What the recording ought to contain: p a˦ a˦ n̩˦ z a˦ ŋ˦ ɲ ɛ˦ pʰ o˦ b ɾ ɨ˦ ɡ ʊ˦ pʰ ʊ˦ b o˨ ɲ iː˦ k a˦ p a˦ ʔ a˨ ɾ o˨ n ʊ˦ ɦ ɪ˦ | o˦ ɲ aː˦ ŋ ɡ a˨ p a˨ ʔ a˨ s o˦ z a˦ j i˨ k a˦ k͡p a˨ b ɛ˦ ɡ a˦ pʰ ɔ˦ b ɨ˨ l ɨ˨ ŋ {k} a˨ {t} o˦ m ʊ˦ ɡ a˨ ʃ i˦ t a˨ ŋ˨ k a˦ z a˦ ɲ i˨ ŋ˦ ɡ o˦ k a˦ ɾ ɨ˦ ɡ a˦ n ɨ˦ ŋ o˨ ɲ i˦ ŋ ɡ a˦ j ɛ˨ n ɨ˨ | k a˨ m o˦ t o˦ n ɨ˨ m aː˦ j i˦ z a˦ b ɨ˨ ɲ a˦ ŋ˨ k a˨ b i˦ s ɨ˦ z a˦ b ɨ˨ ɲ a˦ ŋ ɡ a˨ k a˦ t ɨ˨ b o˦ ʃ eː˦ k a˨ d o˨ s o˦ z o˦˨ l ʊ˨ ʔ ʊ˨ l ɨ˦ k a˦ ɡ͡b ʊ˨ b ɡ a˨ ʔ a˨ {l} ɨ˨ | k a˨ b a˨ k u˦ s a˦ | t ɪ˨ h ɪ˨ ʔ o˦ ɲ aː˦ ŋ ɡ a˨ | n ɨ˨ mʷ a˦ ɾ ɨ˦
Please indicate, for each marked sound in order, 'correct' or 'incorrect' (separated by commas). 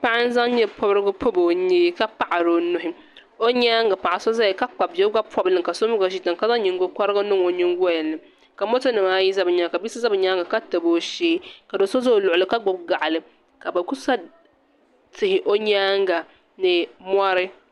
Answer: correct, incorrect, correct